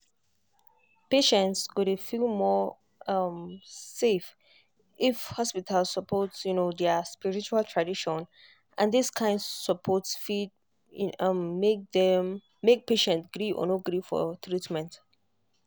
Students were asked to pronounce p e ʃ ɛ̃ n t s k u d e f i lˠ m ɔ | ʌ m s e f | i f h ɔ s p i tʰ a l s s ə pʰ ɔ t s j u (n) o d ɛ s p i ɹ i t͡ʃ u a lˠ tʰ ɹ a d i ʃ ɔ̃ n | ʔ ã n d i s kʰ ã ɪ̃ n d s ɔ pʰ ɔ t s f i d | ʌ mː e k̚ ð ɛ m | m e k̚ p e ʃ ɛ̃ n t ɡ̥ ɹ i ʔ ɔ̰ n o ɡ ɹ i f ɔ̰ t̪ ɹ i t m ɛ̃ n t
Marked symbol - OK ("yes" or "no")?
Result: yes